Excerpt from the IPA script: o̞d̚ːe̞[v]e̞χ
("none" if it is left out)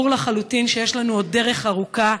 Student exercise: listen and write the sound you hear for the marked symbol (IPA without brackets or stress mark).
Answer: ʁ